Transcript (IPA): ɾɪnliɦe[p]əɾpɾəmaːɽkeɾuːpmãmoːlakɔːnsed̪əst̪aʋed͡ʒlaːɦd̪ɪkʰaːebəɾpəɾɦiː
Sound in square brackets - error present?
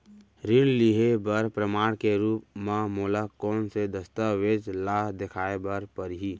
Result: yes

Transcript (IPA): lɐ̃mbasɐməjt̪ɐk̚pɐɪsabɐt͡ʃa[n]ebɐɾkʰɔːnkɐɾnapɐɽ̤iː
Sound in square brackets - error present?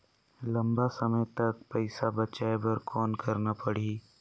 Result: yes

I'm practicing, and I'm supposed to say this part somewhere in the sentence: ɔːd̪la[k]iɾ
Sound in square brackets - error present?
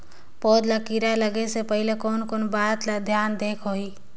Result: no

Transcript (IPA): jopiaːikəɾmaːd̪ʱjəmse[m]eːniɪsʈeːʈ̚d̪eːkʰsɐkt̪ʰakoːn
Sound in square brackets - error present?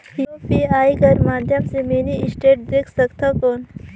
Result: no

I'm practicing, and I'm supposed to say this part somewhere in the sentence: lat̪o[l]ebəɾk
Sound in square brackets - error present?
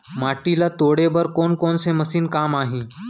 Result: yes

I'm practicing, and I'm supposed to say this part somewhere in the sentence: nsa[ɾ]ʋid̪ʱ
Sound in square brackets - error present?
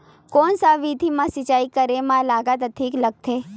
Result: yes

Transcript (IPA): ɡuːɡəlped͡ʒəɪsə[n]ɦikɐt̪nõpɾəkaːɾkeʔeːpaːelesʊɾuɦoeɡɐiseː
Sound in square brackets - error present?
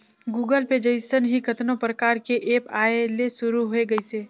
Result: no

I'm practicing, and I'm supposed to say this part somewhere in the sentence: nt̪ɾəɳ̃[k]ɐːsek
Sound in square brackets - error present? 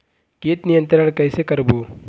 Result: no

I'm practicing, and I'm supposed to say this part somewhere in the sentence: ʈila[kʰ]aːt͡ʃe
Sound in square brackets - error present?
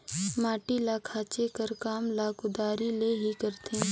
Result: no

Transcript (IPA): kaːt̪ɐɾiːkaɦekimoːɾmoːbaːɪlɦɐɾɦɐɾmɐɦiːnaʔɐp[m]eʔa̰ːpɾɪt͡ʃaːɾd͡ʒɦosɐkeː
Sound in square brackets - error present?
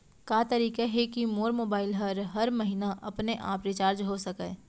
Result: yes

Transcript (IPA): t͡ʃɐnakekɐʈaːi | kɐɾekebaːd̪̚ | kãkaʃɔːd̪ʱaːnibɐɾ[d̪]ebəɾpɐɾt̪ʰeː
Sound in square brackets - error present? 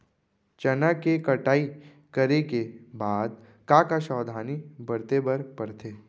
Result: yes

